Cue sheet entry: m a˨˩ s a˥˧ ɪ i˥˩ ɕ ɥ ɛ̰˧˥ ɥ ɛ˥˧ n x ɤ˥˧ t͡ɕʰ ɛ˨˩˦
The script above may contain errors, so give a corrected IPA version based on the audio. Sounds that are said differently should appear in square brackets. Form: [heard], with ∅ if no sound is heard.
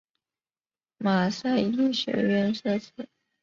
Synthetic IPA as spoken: m a˨˩ s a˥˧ ɪ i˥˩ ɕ ɥ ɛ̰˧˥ ɥ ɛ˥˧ n [ʂ] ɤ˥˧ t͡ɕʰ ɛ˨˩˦

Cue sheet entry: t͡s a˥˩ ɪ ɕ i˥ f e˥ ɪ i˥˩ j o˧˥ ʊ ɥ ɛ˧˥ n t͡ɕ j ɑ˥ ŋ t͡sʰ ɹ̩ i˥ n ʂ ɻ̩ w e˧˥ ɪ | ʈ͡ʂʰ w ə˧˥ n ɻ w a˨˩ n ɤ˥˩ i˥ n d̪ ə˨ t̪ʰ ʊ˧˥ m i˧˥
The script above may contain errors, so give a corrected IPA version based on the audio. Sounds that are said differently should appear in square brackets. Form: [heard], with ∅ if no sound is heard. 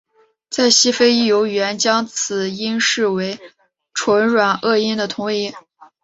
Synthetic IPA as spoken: t͡s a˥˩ ɪ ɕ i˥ f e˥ ɪ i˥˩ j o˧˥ ʊ ɥ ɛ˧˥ n t͡ɕ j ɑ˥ ŋ t͡sʰ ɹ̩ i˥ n ʂ ɻ̩ w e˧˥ ɪ | ʈ͡ʂʰ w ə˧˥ n ɻ w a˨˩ n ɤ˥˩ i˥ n d̪ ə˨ t̪ʰ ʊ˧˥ [ŋ] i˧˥

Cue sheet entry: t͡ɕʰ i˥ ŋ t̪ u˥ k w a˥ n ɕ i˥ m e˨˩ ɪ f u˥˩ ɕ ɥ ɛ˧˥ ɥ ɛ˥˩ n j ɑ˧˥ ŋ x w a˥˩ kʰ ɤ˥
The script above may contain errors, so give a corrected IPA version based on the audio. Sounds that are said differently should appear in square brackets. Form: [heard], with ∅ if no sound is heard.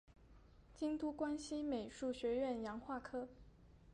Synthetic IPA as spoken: [t͡ɕ] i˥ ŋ t̪ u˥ k w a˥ n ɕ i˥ m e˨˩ ɪ [ʂ] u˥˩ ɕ ɥ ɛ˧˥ ɥ ɛ˥˩ n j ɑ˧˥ ŋ x w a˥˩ kʰ ɤ˥

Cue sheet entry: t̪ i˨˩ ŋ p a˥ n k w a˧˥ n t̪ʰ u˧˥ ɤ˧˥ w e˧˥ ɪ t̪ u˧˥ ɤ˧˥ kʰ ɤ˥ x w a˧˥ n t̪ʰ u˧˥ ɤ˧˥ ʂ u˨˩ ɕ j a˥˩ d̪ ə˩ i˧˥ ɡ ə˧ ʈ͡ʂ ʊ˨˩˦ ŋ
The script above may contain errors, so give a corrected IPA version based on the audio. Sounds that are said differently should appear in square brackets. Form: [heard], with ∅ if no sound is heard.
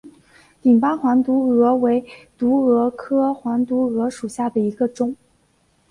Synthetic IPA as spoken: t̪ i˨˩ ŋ p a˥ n [x] w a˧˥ n [t̪] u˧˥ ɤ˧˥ w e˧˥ ɪ t̪ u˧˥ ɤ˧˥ kʰ ɤ˥ x w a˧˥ n [t̪] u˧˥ ɤ˧˥ ʂ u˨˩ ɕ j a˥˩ d̪ ə˩ i˧˥ ɡ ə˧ ʈ͡ʂ [ʊ˥˩] ŋ

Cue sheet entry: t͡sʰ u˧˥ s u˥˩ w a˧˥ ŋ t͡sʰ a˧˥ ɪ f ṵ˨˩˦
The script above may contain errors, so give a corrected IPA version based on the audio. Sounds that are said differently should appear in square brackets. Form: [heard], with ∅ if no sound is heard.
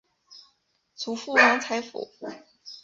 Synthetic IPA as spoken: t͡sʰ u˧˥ [f] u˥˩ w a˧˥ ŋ t͡sʰ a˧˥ ɪ f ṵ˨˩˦

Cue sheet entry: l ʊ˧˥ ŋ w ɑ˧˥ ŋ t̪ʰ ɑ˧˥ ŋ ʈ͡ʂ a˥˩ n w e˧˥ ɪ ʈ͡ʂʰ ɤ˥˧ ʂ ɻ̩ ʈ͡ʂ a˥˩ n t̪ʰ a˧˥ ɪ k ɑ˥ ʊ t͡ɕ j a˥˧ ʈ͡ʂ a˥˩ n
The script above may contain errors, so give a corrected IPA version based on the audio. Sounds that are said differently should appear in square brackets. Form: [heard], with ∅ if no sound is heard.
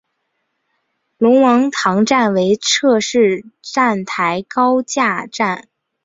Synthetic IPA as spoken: l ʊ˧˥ ŋ w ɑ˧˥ ŋ t̪ʰ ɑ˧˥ ŋ ʈ͡ʂ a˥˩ n w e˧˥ ɪ ʈ͡ʂʰ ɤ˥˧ ʂ ɻ̩ ʈ͡ʂ a˥˩ n t̪ʰ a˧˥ ɪ k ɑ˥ ʊ t͡ɕ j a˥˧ ʈ͡ʂ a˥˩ n

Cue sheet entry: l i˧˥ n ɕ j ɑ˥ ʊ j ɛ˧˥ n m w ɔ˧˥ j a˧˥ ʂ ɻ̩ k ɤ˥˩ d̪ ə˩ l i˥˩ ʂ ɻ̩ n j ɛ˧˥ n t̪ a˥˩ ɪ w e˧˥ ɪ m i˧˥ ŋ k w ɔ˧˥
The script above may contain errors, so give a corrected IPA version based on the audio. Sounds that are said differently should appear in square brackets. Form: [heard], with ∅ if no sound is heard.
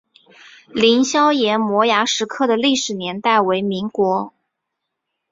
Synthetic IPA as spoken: l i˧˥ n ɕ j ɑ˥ ʊ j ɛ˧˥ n m w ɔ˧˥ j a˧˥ ʂ ɻ̩ [kʰ] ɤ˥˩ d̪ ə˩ l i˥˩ ʂ ɻ̩ n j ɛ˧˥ n t̪ a˥˩ ɪ w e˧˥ ɪ m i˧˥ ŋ k w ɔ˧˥

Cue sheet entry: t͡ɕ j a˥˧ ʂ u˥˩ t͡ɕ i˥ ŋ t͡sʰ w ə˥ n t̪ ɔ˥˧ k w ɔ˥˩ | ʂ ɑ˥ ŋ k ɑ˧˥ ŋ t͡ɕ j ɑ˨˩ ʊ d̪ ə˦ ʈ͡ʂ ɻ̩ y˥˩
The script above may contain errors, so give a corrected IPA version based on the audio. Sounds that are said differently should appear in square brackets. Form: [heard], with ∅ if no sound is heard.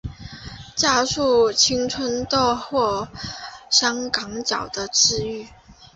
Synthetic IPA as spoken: t͡ɕ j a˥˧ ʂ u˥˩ [t͡ɕʰ] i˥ ŋ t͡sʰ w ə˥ n t̪ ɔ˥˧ [x] w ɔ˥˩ | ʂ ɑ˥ ŋ k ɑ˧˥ ŋ t͡ɕ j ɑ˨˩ ʊ d̪ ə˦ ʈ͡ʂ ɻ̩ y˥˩

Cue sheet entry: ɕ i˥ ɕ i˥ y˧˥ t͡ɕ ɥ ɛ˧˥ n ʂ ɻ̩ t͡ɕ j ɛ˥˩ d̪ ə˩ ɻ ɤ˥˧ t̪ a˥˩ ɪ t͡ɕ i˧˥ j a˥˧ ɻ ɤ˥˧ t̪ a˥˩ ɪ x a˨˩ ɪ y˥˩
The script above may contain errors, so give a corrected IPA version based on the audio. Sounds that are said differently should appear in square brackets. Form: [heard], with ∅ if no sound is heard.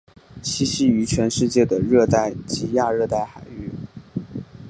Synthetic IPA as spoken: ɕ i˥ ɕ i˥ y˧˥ [t͡ɕʰ] ɥ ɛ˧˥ n ʂ ɻ̩ t͡ɕ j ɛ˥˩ d̪ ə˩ ɻ ɤ˥˧ t̪ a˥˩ ɪ t͡ɕ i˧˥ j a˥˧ ɻ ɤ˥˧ t̪ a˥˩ ɪ x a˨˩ ɪ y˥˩

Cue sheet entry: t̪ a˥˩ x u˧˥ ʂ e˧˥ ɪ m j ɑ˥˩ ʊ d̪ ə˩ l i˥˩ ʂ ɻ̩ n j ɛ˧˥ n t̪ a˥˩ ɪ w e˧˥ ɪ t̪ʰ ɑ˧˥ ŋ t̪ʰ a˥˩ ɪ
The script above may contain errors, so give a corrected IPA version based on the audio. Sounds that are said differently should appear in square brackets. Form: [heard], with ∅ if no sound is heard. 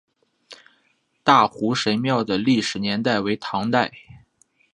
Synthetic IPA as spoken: t̪ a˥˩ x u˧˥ ʂ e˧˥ ɪ m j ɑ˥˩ ʊ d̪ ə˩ l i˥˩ ʂ ɻ̩ n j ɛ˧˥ n t̪ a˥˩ ɪ w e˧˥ ɪ t̪ʰ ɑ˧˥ ŋ [t̪] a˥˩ ɪ

